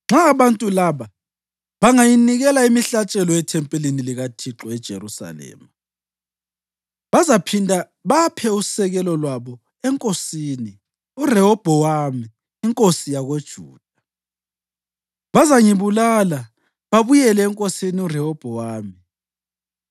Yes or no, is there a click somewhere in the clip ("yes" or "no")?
yes